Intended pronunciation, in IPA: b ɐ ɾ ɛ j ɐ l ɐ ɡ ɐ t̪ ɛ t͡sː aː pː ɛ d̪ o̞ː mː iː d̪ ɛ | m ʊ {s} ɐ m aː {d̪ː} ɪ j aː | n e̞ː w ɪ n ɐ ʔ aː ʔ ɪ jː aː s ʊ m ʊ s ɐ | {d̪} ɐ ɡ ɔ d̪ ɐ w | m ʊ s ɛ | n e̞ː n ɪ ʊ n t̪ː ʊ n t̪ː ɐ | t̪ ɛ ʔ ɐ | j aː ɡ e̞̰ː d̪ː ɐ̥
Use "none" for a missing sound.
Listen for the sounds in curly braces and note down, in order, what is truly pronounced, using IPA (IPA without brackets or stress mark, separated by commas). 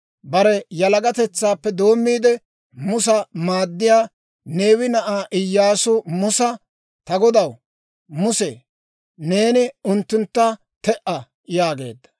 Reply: s, d̪ː, t̪